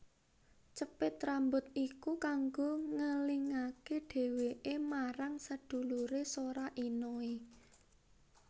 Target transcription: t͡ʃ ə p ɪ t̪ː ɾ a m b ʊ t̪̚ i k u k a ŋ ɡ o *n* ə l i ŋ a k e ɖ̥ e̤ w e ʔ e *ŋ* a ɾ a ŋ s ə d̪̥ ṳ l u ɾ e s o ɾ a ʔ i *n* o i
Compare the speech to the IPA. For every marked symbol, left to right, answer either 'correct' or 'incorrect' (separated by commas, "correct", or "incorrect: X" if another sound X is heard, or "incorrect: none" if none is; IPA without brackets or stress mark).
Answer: incorrect: ŋ, incorrect: m, correct